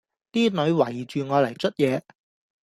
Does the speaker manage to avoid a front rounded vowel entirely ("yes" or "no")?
no